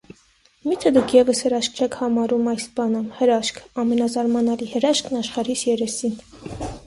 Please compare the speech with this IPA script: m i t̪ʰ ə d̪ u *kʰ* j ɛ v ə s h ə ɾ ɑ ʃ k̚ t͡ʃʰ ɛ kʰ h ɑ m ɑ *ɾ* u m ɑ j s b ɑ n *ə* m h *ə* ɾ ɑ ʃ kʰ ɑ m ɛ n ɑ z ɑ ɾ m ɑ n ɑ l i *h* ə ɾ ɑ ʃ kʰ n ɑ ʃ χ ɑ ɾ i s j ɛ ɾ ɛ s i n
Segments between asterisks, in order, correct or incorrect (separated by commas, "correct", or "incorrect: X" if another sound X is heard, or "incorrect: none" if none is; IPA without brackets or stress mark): correct, correct, correct, correct, correct